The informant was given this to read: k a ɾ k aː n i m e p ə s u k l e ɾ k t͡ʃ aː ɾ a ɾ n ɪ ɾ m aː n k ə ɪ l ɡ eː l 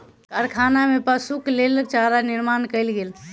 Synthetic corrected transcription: k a ɾ kʰ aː n a m e p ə s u k l e l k t͡ʃ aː ɾ a n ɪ ɾ m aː n k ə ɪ l ɡ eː l